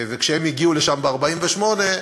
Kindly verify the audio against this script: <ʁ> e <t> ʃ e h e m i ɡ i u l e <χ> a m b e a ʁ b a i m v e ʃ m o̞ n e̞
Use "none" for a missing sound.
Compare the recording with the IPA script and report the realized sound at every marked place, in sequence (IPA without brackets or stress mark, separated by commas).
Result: v, k, ʃ